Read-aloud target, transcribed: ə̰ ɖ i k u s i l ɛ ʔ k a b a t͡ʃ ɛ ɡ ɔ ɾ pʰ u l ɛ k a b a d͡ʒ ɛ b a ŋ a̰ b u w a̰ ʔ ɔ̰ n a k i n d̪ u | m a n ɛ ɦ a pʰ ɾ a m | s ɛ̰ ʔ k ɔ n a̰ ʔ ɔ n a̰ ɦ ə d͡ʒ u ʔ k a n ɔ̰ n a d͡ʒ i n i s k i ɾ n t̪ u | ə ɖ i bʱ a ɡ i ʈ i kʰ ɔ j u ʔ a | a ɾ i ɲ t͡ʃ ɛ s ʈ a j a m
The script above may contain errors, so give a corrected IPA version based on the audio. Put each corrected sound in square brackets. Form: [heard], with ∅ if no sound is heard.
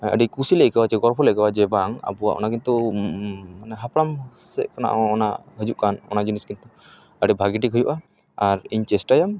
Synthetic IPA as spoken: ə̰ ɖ i k u s i l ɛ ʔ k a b a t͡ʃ ɛ ɡ ɔ ɾ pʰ [ɔ] l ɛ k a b a d͡ʒ ɛ b a ŋ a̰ b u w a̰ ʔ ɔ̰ n a k i n [t̪] u | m a n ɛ ɦ a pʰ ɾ a m | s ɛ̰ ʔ k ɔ n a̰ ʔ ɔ n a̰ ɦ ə d͡ʒ u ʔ k a n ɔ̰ n a d͡ʒ i n i s k i [∅] n t̪ u | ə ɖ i bʱ a ɡ i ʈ i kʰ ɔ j u ʔ a | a ɾ i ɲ t͡ʃ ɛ s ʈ a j a m